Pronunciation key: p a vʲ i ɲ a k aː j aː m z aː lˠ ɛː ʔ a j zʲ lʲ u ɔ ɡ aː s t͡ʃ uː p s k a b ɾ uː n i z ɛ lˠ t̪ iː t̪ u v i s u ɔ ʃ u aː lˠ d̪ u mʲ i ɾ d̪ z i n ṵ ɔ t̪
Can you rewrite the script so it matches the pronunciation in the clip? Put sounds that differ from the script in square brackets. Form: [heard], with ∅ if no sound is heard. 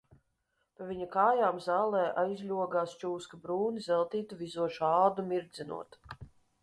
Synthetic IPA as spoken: p a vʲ i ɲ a k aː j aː m z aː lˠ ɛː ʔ a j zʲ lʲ u ɔ ɡ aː s t͡ʃ uː [∅] s k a b ɾ uː n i z ɛ lˠ t̪ iː t̪ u v i [z] u ɔ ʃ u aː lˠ d̪ u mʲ i ɾ d̪ z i n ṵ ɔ t̪